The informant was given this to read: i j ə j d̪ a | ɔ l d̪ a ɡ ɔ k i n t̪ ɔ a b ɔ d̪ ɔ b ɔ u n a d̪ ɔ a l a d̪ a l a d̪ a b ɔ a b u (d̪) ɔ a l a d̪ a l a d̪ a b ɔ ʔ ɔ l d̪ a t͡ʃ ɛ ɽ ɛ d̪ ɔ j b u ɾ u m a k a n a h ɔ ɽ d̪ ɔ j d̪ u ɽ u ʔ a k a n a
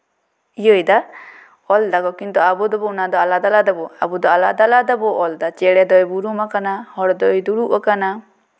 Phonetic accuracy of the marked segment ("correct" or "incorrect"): correct